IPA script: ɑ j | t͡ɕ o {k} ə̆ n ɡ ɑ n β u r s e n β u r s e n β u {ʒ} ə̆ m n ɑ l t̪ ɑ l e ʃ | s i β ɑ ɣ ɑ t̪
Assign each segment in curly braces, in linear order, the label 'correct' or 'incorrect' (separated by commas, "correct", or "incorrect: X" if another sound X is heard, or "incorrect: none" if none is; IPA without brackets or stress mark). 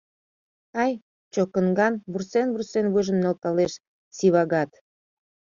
correct, correct